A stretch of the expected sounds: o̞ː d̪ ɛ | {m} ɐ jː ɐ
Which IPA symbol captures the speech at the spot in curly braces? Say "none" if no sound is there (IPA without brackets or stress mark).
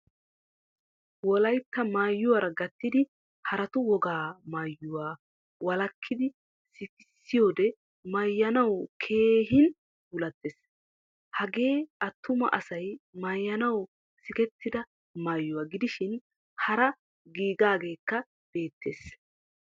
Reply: m